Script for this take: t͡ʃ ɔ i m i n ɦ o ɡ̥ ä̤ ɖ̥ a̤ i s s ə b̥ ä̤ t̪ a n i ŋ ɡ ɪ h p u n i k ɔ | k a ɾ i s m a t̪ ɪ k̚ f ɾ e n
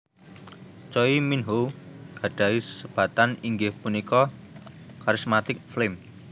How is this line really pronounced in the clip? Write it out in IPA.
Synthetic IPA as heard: t͡ʃ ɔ i m i n ɦ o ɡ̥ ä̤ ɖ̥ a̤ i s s ə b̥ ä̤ t̪ a n i ŋ ɡ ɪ h p u n i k ɔ | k a ɾ i s m a t̪ ɪ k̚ f l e m

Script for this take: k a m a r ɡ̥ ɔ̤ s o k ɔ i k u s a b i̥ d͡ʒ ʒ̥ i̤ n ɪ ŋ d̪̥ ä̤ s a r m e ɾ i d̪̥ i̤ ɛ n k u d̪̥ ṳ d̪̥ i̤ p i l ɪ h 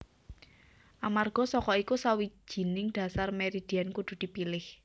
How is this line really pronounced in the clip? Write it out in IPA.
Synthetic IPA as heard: ʔ a m a r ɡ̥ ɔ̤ s ɔ k ɔ i k u s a w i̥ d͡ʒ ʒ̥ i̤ n ɪ ŋ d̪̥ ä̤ s a r m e ɾ i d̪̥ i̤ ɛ n k u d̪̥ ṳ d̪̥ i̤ p i l ɪ h

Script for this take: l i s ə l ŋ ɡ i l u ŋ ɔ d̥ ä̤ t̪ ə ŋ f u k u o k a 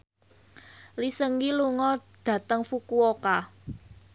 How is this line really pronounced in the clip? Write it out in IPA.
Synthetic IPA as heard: l i s ə ŋ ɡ i l u ŋ ɔ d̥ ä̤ t̪ ə ŋ f u k u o k a

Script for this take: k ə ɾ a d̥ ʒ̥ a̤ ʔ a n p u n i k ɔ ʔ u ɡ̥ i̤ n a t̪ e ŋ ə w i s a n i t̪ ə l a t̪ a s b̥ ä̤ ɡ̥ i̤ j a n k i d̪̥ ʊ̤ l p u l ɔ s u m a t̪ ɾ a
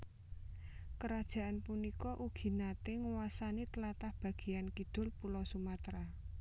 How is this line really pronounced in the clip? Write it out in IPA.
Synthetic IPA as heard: k ə ɾ a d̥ ʒ̥ a̤ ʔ a n p u n i k ɔ ʔ u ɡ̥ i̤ n a t̪ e ŋ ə w a s a n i t̪ ə l a t̪ a h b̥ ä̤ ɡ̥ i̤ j a n k i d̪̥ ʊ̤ l p u l ɔ s u m a t̪ ɾ a

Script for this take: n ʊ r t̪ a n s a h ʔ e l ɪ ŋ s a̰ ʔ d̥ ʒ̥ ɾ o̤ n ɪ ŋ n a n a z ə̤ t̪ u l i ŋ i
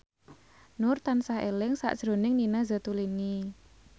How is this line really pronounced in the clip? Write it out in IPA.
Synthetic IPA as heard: n ʊ r t̪ a n s a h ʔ e l ɪ ŋ s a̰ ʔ d̥ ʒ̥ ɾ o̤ n ɪ ŋ n i n a z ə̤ t̪ u l i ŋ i

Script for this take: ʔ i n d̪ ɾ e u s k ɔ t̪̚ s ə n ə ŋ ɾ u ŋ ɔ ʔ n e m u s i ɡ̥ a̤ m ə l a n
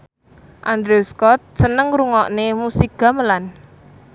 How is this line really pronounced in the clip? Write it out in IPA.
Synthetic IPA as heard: ʔ a n d̪ ɾ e u s k ɔ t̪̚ s ə n ə ŋ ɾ u ŋ ɔ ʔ n e m u s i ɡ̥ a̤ m ə l a n

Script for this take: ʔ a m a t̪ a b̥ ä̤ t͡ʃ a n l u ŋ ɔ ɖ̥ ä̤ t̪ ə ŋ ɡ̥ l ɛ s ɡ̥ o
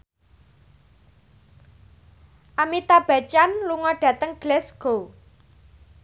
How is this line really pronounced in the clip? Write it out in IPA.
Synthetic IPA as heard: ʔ a m i t̪ a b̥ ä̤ t͡ʃ a n l u ŋ ɔ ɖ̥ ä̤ t̪ ə ŋ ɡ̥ l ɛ s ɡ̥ o

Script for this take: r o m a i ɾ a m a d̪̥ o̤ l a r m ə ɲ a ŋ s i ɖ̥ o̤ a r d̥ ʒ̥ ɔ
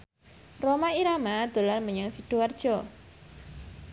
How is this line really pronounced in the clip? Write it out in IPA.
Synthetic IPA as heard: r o m a i ɾ a m a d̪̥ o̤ l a r m ə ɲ a ŋ s i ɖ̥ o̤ a r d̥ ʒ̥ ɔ

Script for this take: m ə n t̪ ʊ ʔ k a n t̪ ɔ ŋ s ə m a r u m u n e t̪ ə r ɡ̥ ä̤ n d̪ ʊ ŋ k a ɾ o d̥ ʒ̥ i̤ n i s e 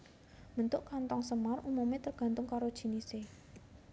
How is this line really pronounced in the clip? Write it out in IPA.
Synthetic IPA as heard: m ə n t̪ ʊ ʔ k a n t̪ ɔ ŋ s ə m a r u m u m e t̪ ə r ɡ̥ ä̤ n t̪ ʊ ŋ k a ɾ o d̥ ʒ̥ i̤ n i s e

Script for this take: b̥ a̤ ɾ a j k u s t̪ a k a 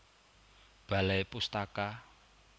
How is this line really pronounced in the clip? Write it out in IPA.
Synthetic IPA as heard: b̥ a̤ l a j p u s t̪ a k a

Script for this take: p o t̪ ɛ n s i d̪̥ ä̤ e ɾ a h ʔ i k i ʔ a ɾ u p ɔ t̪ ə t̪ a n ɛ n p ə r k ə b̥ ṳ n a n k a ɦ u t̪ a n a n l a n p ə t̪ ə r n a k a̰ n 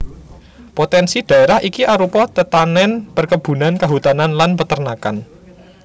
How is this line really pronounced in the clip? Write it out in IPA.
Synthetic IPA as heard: p o t̪ ɛ n s i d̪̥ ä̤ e ɾ a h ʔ i k i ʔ a ɾ u p ɔ t̪ ə t̪ a n ɛ n p ə r k ə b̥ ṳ n a n k a ɦ u t̪ a n a n l a n p ə t̪ ə r n a k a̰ n

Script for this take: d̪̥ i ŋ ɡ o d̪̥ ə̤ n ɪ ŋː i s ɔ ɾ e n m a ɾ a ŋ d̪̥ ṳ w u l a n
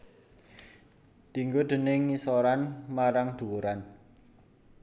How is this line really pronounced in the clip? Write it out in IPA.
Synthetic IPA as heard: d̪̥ i ŋ ɡ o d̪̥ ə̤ n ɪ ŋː i s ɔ ɾ a n m a ɾ a ŋ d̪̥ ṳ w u ɾ a n

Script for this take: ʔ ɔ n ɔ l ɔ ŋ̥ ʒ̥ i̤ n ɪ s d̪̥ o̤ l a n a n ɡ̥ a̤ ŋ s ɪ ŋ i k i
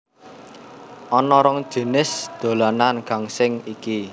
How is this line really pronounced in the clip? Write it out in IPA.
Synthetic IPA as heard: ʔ ɔ n ɔ ɾ ɔ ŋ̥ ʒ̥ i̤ n ɪ s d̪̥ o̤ l a n a n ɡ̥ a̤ ŋ s ɪ ŋ i k i

